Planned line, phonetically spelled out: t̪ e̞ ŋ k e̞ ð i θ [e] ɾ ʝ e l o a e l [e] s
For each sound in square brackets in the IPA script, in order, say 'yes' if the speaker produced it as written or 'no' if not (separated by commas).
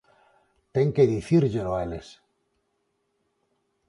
no, yes